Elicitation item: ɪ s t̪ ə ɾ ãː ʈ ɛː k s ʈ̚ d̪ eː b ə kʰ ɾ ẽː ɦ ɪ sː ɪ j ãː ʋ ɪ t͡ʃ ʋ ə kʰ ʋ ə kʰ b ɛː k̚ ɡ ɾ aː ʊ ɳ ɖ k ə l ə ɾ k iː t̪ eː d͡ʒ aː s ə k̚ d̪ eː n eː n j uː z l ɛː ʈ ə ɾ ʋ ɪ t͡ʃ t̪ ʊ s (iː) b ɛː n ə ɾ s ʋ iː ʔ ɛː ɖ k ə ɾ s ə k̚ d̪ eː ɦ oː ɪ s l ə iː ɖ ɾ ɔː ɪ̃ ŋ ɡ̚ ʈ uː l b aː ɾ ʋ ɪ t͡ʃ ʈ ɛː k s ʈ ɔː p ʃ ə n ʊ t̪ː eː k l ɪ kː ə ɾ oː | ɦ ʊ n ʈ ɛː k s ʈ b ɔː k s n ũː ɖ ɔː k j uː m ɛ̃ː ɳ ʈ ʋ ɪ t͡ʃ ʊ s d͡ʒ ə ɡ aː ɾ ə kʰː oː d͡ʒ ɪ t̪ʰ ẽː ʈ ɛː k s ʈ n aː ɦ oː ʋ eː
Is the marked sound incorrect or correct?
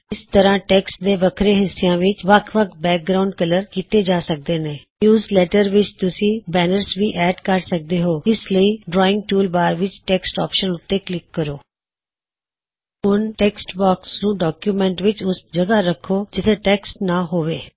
incorrect